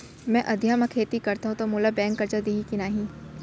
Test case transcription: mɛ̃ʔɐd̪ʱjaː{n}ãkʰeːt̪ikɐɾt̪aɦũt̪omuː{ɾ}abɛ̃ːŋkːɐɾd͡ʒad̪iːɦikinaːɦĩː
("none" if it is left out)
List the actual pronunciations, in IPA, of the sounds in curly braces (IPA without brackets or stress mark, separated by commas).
m, l